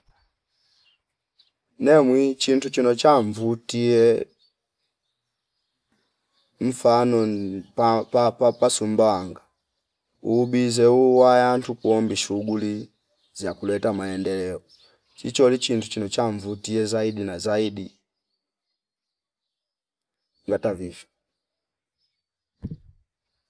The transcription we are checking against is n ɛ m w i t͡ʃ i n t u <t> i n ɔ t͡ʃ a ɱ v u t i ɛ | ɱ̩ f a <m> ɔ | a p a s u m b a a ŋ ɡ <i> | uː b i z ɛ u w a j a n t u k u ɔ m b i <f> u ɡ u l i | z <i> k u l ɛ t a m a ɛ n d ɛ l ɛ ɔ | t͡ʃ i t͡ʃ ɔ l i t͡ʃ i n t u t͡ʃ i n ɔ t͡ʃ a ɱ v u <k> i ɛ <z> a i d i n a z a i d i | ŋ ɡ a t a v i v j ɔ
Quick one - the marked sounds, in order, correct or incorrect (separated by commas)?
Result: incorrect, incorrect, incorrect, incorrect, incorrect, incorrect, correct